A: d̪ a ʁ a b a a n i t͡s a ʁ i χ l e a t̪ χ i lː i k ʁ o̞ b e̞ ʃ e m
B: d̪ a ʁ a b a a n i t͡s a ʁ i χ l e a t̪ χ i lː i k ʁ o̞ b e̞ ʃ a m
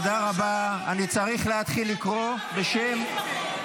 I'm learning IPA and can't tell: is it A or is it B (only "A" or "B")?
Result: A